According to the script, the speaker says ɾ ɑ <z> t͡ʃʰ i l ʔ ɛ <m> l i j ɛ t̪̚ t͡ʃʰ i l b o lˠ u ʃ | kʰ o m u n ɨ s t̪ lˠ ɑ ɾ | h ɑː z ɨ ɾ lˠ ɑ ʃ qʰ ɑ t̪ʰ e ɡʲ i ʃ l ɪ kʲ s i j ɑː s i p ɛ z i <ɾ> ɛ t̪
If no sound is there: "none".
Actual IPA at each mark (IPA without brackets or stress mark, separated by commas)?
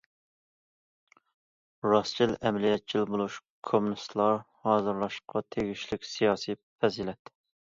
s, m, l